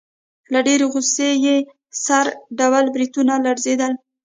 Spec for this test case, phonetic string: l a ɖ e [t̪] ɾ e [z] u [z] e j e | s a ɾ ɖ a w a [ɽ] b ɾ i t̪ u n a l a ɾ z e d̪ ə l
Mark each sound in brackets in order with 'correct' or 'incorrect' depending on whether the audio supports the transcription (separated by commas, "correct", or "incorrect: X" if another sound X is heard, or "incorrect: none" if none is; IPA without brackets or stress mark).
incorrect: none, incorrect: ɣ, incorrect: s, incorrect: l